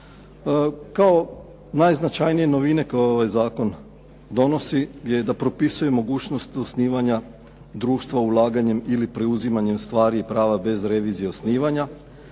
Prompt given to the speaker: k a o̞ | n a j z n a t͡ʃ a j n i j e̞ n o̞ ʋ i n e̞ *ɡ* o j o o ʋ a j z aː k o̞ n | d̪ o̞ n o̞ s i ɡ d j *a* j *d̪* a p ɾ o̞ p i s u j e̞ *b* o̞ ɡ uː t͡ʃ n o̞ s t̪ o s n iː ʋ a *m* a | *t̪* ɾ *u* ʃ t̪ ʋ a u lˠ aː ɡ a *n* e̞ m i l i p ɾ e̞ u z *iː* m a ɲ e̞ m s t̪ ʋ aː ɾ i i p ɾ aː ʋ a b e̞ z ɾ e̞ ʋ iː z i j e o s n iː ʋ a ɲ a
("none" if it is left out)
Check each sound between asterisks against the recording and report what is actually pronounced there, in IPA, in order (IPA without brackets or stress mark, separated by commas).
k, e, d̪, m, ɲ, d̪, uː, ɲ, i